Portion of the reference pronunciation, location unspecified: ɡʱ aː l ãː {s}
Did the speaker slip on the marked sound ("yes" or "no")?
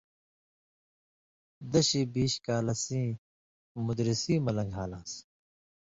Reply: no